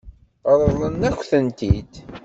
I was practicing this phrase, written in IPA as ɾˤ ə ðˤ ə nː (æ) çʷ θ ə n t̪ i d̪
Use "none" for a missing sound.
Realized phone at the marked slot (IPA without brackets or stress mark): æ